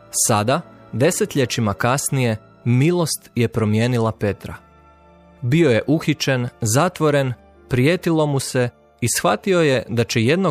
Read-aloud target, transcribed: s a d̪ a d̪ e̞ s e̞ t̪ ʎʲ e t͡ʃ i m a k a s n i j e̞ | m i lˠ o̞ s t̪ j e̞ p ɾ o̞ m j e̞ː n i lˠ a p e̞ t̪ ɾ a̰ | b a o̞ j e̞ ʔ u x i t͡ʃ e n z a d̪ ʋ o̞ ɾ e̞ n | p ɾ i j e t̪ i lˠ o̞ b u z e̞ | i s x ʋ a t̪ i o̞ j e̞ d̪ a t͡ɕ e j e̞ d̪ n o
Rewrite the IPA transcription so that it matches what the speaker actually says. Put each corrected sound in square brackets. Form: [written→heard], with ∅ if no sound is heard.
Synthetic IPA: s a d̪ a d̪ e̞ s e̞ t̪ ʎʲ e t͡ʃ i m a k a s n i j e̞ | m i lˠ o̞ s t̪ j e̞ p ɾ o̞ m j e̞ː n i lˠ a p e̞ t̪ ɾ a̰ | b [a→i] o̞ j e̞ ʔ u x i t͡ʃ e n z a [d̪→t̪] ʋ o̞ ɾ e̞ n | p ɾ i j e t̪ i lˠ o̞ [b→m] u [z→s] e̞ | i s x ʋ a t̪ i o̞ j e̞ d̪ a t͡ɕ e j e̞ d̪ n o